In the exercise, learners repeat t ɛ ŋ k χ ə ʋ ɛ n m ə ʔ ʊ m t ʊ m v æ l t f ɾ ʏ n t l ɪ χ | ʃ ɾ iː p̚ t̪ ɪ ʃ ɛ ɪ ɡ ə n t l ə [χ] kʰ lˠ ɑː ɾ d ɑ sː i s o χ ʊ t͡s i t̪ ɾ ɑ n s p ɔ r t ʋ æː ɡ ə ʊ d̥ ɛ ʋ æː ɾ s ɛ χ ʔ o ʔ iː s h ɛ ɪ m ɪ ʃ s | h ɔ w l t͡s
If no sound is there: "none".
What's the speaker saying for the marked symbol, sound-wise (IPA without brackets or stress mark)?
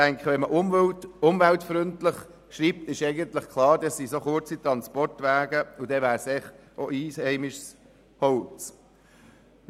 χ